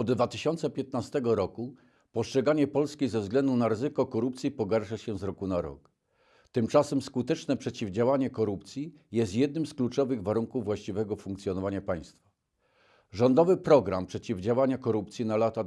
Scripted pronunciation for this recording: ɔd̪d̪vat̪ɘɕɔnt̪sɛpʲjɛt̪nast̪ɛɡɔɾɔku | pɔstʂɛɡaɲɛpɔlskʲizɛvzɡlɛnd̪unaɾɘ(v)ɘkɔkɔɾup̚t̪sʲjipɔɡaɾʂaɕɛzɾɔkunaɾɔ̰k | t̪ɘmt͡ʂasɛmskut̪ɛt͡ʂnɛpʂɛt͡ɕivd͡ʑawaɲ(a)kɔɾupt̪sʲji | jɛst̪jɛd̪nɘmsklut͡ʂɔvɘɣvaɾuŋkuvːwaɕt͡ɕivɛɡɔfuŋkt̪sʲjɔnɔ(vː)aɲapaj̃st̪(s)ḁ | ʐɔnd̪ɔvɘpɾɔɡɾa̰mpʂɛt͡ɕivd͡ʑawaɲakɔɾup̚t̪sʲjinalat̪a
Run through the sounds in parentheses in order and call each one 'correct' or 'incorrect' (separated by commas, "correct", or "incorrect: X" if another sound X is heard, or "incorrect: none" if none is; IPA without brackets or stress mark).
incorrect: z, incorrect: ɛ, incorrect: v, incorrect: f